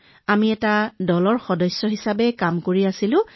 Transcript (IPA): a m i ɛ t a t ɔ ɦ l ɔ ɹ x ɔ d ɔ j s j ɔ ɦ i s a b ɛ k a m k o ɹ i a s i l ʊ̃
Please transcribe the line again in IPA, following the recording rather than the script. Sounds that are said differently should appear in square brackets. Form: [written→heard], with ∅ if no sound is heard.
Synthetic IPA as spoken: a m i ɛ t a [t→d] ɔ [ɦ→∅] l ɔ ɹ x ɔ d ɔ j s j ɔ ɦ i s a b ɛ k a m k o ɹ i a s i l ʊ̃